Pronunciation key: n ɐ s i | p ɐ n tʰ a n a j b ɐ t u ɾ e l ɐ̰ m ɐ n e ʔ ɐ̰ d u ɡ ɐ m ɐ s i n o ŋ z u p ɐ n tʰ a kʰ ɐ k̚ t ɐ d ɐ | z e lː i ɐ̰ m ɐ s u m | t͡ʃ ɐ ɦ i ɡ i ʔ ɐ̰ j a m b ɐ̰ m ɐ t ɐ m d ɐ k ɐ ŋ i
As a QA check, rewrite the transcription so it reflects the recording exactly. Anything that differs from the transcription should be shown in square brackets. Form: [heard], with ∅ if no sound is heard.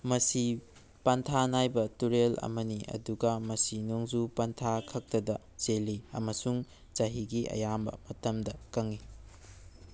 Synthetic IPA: [m] ɐ s i | p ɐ n tʰ a n a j b ɐ t u ɾ e l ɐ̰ m ɐ n [i] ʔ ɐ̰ d u ɡ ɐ m ɐ s i n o ŋ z u p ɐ n tʰ a kʰ ɐ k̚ t ɐ d ɐ | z e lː i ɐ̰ m ɐ s u [ŋ] | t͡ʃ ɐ ɦ i ɡ i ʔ ɐ̰ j a m b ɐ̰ m ɐ t ɐ m d ɐ k ɐ ŋ i